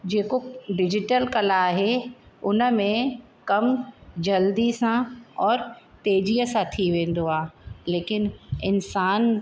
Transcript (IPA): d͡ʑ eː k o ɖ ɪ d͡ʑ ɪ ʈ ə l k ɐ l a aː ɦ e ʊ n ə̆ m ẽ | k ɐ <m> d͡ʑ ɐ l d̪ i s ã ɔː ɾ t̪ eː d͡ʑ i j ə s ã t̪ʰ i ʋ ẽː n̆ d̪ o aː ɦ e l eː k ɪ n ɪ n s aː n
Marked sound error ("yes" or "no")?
no